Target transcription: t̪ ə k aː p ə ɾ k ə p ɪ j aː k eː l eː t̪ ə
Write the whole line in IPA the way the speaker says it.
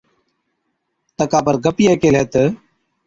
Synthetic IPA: t̪ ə k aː p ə ɾ ɡ ə p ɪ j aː k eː l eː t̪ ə